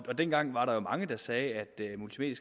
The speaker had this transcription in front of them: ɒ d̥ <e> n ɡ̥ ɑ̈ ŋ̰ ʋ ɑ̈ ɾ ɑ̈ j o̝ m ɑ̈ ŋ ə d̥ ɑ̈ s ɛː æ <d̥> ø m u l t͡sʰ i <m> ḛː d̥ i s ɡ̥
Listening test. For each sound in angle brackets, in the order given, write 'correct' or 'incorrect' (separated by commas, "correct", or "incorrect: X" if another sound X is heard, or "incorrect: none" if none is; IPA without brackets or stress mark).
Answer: correct, correct, correct